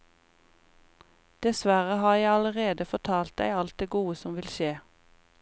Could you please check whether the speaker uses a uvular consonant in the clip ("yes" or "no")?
yes